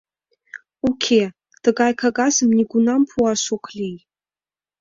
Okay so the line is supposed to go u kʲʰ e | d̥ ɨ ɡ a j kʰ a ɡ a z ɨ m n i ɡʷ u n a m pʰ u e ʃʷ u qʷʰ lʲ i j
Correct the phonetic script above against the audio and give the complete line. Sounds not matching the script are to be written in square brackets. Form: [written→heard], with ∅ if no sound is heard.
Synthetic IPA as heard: u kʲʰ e | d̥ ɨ ɡ a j kʰ a ɡ a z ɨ m n i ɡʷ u n a m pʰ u [e→a] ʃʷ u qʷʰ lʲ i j